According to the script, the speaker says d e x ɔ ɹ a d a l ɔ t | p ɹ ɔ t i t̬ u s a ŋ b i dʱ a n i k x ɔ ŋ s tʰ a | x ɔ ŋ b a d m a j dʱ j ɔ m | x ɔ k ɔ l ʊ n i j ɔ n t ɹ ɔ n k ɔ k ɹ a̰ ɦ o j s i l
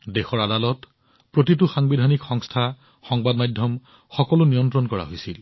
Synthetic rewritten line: d e x ɔ ɹ a d a l ɔ t | p ɹ o t i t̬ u x a ŋ b i dʱ a n i k x ɔ ŋ s tʰ a | x ɔ ŋ b a d m a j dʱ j ɔ m | x ɔ k ɔ l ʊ n i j ɔ n t ɹ ɔ n k ɔ ɹ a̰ ɦ o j s i l